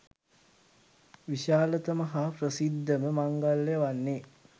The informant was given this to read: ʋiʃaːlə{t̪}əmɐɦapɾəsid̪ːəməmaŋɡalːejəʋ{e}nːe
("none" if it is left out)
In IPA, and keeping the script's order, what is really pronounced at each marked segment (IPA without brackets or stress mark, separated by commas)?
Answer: t̪, a